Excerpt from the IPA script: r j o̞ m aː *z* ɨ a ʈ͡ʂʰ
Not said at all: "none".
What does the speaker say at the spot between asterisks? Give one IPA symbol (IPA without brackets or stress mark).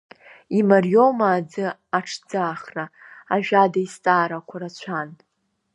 d͡z